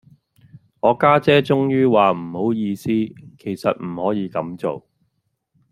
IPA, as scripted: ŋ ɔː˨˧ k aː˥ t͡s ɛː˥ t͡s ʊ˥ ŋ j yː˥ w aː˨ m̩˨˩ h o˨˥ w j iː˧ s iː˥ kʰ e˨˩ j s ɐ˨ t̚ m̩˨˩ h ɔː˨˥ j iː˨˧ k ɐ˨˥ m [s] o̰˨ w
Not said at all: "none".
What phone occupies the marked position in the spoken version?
t͡s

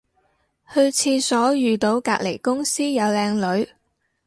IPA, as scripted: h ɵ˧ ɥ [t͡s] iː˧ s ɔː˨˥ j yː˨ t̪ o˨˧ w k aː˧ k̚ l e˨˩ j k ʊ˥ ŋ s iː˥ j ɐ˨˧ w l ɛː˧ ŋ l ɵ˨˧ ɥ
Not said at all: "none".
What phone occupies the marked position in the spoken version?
t͡sʰ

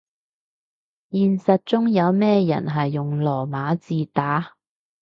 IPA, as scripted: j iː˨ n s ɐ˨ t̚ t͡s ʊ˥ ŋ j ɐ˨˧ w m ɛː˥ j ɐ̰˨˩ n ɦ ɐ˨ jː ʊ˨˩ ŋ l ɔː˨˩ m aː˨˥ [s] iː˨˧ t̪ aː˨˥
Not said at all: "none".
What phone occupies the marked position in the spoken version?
t͡s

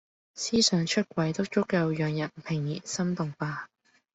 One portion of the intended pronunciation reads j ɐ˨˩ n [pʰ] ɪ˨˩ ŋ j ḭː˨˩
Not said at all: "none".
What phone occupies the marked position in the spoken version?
pʰ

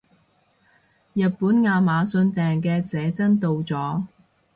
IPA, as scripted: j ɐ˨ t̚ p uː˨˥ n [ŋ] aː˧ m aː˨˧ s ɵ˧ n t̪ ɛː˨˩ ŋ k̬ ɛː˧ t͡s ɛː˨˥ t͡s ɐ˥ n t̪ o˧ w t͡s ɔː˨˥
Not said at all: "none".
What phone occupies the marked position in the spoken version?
ŋ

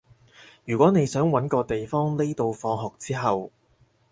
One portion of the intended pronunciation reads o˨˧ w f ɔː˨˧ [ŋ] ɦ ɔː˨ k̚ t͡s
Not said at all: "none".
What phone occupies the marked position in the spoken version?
ŋ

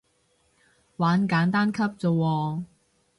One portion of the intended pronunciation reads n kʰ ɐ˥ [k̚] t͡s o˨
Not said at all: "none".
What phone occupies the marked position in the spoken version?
p̚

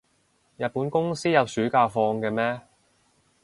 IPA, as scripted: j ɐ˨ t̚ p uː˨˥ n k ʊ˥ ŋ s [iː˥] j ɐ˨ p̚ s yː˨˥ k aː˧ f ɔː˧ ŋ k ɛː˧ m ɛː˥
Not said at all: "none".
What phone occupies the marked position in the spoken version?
iː˥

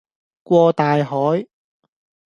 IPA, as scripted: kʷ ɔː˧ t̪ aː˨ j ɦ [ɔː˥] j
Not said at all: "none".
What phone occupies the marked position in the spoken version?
ɔː˨˥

